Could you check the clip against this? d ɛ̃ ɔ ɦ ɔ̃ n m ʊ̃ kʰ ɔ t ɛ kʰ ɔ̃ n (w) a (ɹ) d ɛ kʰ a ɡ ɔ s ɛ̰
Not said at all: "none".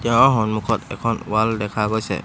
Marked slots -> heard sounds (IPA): w, l

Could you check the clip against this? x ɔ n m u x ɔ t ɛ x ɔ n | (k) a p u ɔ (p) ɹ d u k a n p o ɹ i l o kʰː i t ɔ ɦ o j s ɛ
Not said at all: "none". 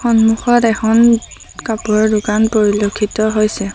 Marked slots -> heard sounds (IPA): k, none

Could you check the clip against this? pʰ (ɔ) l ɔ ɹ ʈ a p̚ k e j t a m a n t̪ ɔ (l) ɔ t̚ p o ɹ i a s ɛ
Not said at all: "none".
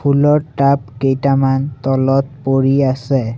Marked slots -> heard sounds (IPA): u, l

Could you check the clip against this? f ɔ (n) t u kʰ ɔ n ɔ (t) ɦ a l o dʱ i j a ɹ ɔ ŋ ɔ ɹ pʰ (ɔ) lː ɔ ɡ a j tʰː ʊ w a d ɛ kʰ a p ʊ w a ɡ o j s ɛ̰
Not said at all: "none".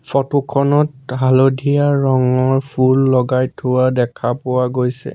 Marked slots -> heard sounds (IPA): none, t, u

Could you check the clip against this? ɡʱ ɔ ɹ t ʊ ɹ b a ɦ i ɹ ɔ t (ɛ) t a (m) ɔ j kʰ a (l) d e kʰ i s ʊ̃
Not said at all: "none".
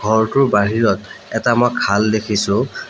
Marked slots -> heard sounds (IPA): ɛ, m, l

